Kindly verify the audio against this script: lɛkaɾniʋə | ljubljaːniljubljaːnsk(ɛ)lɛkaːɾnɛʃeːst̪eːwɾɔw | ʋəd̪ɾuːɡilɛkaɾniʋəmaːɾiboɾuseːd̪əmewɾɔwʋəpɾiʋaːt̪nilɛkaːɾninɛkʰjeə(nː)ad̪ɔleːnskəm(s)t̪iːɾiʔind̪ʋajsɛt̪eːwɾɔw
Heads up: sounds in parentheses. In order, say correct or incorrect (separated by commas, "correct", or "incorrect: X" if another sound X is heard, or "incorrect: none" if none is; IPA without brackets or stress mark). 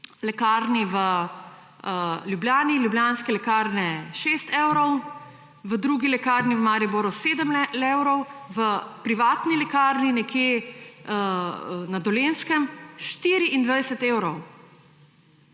correct, incorrect: n, incorrect: ʃ